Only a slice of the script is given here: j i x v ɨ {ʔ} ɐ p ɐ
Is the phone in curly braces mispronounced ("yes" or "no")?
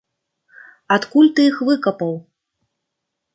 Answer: yes